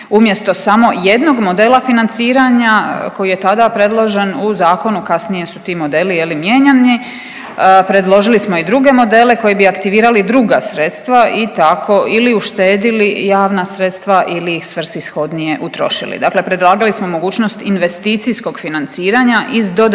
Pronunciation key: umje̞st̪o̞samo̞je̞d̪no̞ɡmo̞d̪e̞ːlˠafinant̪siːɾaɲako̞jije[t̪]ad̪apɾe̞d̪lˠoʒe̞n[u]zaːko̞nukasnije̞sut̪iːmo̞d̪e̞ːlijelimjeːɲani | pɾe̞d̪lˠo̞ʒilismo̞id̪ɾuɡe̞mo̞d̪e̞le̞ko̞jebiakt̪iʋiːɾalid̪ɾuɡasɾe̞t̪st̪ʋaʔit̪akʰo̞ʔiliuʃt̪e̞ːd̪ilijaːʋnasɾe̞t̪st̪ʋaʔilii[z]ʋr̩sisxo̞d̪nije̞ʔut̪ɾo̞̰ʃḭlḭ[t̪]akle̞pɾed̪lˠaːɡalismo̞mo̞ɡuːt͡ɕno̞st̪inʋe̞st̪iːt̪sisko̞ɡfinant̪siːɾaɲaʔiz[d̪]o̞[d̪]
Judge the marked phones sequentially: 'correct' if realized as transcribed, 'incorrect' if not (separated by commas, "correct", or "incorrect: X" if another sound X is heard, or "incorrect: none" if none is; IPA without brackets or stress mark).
correct, correct, incorrect: s, incorrect: d̪, correct, correct